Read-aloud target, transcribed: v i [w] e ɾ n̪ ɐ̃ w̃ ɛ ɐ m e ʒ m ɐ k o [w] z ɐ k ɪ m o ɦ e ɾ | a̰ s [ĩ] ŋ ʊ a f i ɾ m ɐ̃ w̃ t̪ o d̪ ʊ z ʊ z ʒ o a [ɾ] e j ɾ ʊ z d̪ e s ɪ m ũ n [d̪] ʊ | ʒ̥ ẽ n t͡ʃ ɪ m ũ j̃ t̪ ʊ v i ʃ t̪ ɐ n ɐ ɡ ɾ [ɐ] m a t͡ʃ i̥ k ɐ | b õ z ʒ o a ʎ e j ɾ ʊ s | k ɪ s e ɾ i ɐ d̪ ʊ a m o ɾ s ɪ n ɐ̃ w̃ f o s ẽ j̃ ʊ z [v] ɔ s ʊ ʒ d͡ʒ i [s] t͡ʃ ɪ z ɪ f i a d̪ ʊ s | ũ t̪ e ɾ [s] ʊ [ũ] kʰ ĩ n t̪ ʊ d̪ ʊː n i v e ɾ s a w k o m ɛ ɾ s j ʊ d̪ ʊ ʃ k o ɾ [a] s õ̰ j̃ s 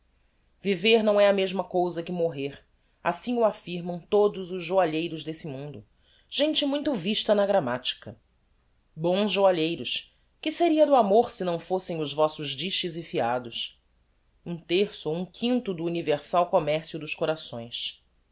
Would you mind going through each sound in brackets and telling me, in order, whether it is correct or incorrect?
incorrect, correct, correct, incorrect, correct, incorrect, correct, incorrect, correct, correct, correct

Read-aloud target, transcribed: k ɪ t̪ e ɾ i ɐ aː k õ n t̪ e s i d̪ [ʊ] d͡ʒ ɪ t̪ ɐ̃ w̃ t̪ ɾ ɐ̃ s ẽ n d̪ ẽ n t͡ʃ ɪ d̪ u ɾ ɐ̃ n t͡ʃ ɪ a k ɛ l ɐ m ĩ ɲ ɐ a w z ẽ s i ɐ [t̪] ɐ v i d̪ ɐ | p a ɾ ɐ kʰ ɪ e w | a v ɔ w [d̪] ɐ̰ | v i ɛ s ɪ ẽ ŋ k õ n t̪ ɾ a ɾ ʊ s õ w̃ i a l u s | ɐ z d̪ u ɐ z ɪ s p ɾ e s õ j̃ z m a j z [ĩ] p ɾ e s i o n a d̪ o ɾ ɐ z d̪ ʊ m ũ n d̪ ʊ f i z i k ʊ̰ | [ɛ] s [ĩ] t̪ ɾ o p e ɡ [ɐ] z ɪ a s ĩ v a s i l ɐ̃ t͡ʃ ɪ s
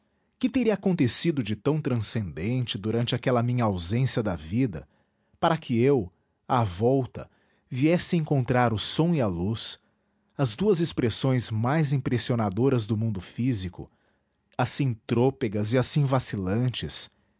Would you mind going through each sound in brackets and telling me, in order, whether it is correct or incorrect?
correct, incorrect, incorrect, correct, incorrect, correct, correct

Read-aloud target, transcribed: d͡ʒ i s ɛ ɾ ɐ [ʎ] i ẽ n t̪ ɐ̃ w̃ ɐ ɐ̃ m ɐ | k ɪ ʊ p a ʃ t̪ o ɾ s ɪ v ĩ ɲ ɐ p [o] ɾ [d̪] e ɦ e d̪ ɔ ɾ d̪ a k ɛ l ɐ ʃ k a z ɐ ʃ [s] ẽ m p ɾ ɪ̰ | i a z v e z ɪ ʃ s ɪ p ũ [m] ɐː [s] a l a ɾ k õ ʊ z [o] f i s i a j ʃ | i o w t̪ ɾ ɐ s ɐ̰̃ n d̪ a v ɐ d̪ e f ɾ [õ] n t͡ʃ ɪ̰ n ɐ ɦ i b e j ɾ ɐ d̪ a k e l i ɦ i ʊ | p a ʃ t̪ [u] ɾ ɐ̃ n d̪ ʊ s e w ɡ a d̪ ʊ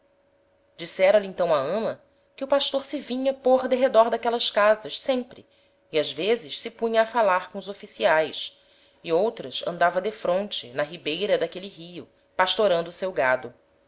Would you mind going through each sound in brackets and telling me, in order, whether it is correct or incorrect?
incorrect, correct, correct, correct, incorrect, incorrect, correct, correct, incorrect

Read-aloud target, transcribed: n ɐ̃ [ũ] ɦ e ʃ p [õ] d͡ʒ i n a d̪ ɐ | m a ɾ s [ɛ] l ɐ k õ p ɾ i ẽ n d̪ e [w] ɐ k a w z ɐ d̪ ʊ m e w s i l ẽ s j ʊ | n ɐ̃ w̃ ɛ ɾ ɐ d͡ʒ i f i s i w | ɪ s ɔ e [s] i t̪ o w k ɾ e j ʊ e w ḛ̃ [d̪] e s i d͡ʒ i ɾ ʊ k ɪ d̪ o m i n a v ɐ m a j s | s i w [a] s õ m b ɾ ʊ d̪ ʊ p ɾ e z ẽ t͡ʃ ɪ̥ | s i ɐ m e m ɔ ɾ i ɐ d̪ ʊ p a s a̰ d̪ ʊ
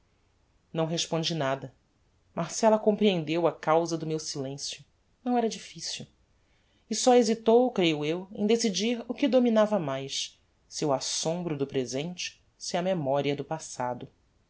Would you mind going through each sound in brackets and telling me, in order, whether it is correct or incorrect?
incorrect, correct, correct, correct, incorrect, correct, correct

